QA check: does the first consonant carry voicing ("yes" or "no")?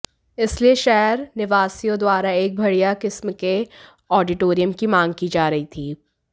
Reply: no